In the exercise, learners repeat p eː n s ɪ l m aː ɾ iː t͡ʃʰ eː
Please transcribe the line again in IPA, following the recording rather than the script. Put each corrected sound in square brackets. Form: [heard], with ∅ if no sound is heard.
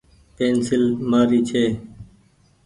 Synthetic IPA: p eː n s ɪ l m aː ɾ iː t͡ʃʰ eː